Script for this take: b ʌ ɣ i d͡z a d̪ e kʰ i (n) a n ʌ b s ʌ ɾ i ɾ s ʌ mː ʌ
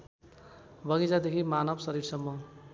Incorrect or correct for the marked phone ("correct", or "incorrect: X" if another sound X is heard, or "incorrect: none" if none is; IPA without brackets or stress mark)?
incorrect: m